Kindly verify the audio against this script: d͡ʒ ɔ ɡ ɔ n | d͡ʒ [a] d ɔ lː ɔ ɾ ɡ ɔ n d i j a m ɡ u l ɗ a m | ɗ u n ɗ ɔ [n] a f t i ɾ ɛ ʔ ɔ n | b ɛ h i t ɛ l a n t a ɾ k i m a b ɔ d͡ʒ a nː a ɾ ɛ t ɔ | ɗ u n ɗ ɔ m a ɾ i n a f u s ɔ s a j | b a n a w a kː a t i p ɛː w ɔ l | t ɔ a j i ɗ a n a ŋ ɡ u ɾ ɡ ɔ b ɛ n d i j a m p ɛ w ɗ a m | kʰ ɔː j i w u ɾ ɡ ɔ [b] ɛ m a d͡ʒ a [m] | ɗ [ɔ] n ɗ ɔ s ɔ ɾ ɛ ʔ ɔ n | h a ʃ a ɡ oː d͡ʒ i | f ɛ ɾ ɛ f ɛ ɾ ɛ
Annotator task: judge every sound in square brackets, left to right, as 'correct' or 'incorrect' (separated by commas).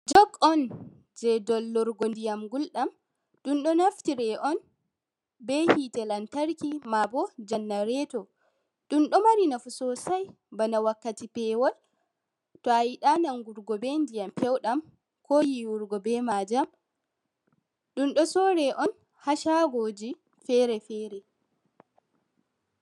incorrect, correct, correct, correct, incorrect